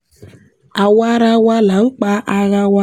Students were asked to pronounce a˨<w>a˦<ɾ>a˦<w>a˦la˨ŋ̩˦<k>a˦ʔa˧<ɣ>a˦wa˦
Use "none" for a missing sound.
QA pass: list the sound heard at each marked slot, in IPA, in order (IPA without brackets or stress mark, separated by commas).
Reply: w, ɾ, w, k͡p, ɣ